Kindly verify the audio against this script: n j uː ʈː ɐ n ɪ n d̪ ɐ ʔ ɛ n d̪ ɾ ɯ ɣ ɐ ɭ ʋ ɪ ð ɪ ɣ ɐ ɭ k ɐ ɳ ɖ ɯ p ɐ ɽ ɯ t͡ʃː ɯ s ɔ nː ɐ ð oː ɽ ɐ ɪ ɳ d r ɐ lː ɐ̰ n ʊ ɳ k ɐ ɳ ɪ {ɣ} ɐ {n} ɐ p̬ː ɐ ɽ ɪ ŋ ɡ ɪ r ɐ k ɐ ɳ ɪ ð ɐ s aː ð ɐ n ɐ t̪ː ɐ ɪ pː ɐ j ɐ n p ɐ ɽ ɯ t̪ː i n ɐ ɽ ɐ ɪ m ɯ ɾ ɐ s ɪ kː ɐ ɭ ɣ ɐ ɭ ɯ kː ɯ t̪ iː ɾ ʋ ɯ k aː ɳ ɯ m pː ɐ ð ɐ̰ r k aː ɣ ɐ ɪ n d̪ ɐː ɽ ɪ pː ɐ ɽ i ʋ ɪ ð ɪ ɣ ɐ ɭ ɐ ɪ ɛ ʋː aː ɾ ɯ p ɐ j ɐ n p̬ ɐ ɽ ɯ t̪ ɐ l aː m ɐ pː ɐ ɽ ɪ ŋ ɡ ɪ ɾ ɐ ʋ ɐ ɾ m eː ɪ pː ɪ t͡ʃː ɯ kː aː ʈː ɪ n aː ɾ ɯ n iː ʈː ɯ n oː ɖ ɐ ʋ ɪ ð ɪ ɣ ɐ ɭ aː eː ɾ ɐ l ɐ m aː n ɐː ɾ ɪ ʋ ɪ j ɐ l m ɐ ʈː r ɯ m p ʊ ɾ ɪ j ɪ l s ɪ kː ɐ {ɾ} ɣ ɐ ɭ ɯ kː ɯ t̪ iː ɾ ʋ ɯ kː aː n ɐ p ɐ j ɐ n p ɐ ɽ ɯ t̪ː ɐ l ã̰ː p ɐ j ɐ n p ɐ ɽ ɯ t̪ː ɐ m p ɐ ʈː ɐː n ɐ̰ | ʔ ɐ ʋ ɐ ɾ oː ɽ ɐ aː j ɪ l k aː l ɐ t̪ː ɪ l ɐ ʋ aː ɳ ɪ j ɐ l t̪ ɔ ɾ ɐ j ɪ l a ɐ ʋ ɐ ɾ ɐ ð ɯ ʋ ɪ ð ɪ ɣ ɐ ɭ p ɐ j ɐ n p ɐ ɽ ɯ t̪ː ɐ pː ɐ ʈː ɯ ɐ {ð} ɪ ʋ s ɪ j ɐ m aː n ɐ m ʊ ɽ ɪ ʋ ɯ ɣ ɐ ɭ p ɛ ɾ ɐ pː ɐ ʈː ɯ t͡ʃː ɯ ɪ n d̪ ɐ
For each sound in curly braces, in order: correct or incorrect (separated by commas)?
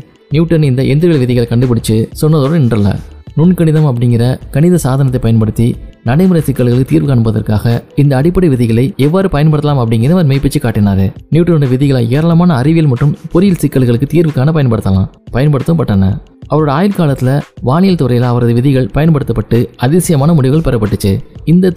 incorrect, incorrect, incorrect, correct